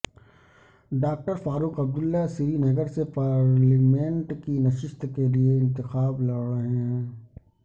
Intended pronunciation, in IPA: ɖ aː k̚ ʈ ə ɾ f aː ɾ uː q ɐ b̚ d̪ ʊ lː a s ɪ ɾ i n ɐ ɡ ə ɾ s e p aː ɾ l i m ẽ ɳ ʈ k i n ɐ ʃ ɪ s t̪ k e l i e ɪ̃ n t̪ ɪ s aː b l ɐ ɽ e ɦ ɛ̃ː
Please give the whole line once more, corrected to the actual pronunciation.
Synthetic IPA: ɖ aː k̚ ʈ ə ɾ f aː ɾ uː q ɐ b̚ d̪ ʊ lː a s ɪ ɾ i n ɐ ɡ ə ɾ s e p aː ɾ l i m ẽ ɳ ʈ k i n ɐ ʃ ɪ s t̪ k e l i e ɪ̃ n t̪ ɪ x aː b l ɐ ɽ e ɦ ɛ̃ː